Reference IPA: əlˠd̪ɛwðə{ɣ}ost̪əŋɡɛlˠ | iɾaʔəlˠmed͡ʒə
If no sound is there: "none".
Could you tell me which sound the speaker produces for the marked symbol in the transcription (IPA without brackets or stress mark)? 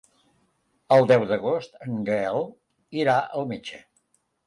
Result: ɣ